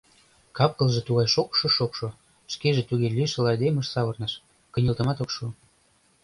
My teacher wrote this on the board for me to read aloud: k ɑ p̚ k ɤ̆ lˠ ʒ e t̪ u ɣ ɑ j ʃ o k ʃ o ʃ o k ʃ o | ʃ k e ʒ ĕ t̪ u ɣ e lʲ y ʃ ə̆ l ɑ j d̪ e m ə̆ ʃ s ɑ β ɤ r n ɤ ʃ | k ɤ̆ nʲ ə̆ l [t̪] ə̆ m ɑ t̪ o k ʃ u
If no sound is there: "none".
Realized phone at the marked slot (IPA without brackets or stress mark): t̪